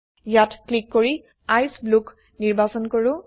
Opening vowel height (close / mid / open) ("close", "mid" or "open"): open